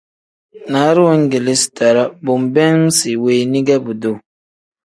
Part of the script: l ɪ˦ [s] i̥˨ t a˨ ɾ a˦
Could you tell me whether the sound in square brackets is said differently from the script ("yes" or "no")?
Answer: no